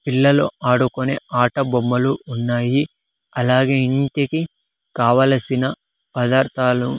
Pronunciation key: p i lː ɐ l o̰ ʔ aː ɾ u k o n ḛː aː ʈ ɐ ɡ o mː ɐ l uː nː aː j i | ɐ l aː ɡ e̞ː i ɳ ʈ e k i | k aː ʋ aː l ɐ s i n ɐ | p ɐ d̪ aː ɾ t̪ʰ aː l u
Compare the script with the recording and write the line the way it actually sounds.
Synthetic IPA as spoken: p i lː ɐ l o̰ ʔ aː ɽ u k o n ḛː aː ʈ ɐ b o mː ɐ l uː nː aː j i | ɐ l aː ɡ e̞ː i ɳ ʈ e k i | k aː ʋ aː l ɐ s i n ɐ | p ɐ d̪ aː ɾ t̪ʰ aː l u